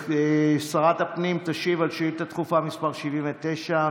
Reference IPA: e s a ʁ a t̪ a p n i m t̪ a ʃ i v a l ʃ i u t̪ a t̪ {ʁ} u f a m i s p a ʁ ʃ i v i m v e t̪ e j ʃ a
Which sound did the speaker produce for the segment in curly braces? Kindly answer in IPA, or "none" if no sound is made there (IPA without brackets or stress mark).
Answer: χ